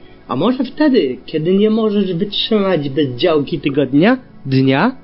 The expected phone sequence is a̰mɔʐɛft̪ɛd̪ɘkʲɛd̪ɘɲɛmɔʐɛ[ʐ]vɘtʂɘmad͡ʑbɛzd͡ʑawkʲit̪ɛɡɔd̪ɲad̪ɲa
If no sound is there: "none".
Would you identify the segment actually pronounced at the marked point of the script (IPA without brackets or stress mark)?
ʐ